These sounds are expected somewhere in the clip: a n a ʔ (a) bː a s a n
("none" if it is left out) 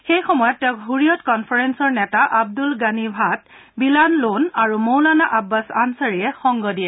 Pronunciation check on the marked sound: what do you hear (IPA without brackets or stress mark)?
a